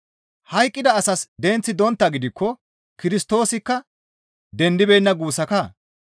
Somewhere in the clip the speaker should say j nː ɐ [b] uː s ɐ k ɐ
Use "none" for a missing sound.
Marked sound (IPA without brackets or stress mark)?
ɡ